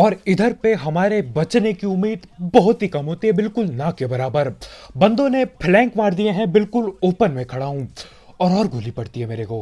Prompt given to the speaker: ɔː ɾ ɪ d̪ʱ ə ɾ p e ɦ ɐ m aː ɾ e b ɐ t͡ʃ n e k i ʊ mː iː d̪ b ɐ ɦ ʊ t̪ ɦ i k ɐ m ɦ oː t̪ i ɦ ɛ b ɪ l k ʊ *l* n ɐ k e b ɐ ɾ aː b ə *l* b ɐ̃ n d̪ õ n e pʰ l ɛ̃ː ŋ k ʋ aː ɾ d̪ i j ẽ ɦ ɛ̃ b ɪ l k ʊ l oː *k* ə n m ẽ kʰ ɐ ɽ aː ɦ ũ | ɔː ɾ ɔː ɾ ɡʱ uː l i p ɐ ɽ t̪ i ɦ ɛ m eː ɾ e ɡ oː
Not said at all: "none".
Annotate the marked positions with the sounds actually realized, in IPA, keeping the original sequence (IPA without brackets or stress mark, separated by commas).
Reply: l, ɾ, p